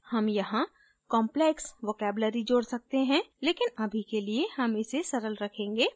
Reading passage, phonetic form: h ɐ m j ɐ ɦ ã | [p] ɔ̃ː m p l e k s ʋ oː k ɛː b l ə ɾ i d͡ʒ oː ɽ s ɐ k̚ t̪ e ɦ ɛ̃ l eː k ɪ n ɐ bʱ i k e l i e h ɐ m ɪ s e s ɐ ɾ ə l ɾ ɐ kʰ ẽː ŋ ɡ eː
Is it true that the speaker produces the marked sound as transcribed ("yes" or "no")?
no